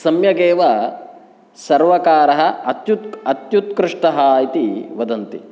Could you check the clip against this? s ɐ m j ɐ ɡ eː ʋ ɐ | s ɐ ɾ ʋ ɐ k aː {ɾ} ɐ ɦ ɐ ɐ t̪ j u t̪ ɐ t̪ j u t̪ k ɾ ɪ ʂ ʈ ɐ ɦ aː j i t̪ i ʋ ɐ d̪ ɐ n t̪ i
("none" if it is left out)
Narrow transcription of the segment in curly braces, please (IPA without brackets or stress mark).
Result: ɾ